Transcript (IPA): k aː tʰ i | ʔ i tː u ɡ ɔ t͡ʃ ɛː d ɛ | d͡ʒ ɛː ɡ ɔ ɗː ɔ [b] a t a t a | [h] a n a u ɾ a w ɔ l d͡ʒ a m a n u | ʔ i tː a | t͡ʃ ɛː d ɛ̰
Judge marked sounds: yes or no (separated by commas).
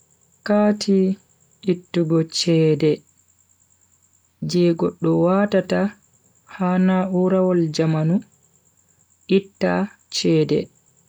no, yes